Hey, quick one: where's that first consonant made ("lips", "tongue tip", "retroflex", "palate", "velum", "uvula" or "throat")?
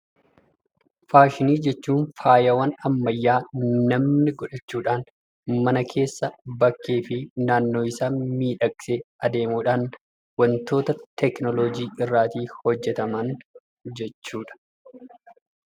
lips